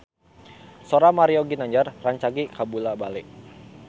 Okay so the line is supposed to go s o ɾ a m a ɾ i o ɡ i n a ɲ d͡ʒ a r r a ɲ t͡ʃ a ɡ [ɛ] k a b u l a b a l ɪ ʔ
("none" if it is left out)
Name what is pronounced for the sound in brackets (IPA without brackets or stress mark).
i